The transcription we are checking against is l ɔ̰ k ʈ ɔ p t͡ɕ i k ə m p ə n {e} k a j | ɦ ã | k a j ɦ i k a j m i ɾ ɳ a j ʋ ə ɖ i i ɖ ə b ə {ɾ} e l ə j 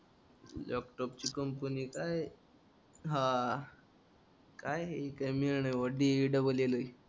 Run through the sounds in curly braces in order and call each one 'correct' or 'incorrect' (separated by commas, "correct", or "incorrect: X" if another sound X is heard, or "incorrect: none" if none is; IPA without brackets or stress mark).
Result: incorrect: i, incorrect: l